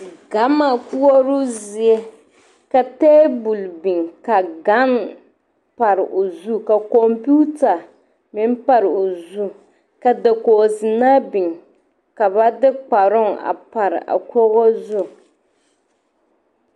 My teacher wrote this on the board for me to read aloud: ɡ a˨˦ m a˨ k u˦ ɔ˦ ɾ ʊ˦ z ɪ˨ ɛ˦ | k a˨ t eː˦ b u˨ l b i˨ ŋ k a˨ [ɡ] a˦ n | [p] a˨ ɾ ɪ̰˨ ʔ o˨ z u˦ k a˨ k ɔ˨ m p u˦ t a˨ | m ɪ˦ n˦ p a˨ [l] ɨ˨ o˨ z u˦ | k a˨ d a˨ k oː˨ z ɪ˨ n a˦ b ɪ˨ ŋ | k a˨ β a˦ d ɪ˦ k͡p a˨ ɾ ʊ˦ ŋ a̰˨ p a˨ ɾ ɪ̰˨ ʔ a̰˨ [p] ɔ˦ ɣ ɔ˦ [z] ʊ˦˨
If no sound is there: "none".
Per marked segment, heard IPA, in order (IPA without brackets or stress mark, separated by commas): ɡ, p, ɾ, k, z